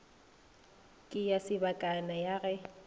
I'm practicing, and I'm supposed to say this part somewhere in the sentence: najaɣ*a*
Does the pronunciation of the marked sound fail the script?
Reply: yes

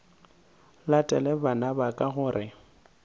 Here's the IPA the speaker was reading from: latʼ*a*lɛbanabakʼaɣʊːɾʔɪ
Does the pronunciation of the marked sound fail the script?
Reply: yes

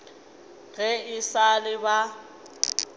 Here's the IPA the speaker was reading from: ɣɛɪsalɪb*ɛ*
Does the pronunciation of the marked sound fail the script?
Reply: yes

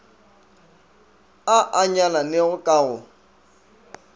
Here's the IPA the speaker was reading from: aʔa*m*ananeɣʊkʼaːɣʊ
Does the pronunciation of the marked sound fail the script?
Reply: yes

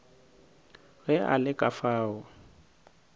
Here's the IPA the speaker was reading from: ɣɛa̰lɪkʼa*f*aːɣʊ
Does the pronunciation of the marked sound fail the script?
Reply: no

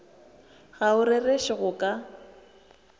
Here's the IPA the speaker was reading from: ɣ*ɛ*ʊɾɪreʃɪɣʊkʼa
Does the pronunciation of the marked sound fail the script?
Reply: yes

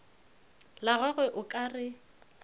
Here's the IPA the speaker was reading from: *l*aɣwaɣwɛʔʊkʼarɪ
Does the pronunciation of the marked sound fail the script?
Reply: no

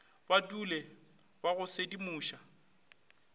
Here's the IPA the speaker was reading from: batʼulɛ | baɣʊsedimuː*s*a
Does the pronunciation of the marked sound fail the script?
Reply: yes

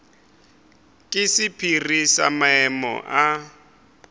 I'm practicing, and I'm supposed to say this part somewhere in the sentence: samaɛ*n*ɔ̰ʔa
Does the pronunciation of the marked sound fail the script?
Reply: yes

